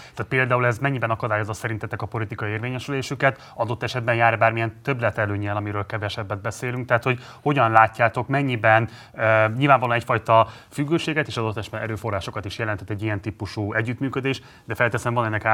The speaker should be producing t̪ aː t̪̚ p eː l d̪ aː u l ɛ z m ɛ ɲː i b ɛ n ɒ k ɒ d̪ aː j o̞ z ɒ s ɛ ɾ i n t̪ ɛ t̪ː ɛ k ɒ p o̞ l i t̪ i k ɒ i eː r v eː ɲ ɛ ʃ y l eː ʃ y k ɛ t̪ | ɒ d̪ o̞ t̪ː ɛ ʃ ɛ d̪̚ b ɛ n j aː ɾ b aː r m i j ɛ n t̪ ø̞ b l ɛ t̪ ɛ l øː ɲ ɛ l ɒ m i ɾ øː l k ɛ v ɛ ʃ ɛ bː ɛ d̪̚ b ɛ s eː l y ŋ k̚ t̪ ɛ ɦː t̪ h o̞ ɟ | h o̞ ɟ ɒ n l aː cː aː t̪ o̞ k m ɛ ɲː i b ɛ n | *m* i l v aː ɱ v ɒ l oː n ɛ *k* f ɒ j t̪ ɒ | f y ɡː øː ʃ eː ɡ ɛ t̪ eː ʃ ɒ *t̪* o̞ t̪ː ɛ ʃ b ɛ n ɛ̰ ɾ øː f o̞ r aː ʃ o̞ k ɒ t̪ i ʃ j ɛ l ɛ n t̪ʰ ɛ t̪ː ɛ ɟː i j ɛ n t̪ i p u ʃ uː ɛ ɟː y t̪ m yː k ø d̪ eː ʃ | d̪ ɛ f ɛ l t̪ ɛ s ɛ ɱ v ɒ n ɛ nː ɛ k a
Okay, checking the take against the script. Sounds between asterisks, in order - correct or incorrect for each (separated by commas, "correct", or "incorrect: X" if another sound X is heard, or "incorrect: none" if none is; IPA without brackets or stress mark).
incorrect: ɲ, incorrect: c, incorrect: d̪